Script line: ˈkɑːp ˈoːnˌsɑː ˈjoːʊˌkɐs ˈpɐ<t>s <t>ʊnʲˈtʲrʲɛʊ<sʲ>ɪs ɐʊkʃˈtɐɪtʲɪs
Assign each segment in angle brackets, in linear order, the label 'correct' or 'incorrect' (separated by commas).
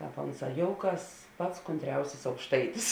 correct, incorrect, correct